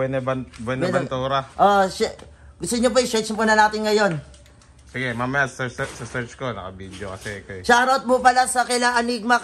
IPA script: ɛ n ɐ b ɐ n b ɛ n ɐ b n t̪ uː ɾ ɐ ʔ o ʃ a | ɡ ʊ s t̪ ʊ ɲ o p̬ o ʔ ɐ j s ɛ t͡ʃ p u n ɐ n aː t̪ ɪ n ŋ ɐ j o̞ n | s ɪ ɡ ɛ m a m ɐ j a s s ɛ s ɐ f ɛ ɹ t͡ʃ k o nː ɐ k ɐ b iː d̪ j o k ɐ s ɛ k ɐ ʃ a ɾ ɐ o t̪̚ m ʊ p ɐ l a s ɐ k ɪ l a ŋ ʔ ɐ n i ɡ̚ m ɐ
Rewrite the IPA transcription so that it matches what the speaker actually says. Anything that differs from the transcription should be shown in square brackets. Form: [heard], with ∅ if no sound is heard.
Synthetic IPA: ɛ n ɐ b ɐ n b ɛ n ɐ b n t̪ uː ɾ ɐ ʔ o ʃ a | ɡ ʊ s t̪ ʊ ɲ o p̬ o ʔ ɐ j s ɛ t͡ʃ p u n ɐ n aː t̪ ɪ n ŋ ɐ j o̞ n | s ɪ ɡ ɛ m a m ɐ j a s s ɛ s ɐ [s] ɛ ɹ t͡ʃ k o [n] ɐ k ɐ b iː d̪ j o k ɐ s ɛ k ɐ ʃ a ɾ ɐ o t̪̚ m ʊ p ɐ l a s ɐ k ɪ l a ŋ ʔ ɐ n i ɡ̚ m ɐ